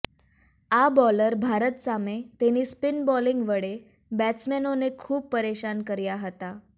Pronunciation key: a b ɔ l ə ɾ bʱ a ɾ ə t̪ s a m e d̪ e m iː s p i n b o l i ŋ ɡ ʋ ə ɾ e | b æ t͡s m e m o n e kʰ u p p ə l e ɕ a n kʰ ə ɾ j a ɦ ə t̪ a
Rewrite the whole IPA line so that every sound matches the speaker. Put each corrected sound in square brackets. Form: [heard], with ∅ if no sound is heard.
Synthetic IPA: a b ɔ l ə ɾ bʱ a ɾ ə t̪ s a m e [t̪] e [n] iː s p i n b [ɔ] l i ŋ ɡ ʋ ə [ɽ] e | b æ t͡s m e [n] o n e kʰ [uː] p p ə [ɾ] e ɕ a n [k] ə ɾ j a ɦ ə t̪ a